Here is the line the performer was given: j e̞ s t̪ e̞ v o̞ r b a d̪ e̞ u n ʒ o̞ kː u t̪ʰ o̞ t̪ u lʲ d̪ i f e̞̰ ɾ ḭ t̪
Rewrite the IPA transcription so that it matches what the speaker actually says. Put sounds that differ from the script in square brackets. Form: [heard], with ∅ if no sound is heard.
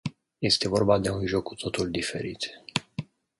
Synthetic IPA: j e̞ s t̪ e̞ v o̞ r b a d̪ e̞ u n ʒ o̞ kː u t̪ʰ o̞ t̪ u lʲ d̪ i f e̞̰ ɾ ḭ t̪